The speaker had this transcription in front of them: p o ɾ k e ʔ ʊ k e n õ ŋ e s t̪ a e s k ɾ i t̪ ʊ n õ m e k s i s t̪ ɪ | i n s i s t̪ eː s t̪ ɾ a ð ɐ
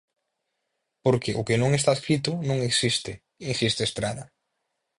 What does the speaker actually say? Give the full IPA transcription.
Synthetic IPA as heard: p o ɾ k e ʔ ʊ k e n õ ŋ e s t̪ a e s k ɾ i t̪ ʊ n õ ŋ e k s i s t̪ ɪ | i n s i s t̪ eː s t̪ ɾ a ð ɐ